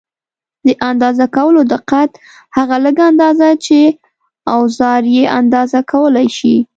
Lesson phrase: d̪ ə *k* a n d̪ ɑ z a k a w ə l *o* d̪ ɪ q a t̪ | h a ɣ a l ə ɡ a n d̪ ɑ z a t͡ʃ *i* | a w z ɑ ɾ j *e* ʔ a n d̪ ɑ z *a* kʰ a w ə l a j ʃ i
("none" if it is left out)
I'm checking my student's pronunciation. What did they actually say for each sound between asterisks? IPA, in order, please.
ʔ, o, e, e, a

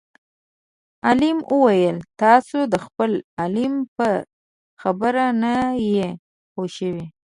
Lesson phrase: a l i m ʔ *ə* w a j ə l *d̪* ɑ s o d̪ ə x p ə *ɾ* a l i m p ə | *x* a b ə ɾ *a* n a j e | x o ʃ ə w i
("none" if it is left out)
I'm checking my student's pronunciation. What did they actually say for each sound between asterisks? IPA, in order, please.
ə, t̪, l, x, a

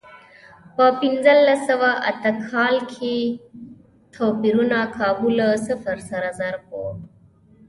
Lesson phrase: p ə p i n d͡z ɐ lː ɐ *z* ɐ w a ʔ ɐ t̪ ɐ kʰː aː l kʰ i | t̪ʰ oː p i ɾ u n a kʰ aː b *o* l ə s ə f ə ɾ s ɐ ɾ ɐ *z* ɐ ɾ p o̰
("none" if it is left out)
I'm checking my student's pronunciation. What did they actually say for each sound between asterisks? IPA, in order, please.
s, u, z

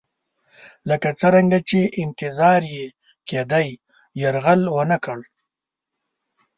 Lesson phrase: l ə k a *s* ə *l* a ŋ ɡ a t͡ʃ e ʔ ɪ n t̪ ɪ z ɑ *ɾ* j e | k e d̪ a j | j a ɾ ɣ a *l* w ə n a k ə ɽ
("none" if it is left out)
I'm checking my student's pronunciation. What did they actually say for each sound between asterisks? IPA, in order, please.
t͡s, ɾ, ɾ, l

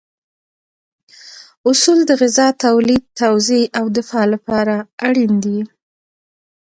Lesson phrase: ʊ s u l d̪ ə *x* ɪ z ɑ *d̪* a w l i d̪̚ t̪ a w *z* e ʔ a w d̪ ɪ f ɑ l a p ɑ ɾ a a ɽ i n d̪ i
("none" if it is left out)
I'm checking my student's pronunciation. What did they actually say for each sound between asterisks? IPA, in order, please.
ɣ, t̪, z

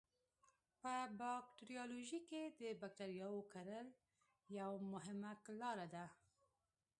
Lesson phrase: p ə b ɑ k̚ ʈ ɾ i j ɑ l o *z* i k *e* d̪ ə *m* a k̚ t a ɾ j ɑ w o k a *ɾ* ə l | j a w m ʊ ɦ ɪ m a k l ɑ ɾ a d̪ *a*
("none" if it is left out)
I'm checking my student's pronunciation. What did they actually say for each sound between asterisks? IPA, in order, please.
ʒ, e, b, ɾ, a

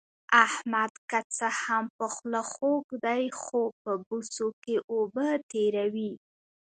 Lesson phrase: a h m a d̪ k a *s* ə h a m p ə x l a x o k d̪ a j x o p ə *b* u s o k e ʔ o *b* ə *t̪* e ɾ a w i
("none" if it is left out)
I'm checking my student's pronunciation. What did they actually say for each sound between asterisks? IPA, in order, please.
t͡s, b, b, t̪

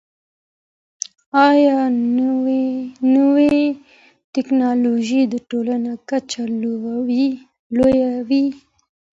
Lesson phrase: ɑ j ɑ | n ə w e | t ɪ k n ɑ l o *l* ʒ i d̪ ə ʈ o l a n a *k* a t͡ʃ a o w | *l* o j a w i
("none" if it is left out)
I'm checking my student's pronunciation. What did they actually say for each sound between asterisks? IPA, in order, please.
none, k, l

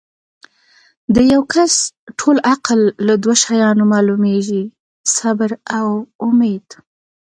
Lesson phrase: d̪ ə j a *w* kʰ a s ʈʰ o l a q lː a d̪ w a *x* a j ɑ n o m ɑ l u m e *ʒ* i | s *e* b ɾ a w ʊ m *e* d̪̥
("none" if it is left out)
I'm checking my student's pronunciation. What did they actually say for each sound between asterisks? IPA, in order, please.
w, ʃ, ʒ, a, e

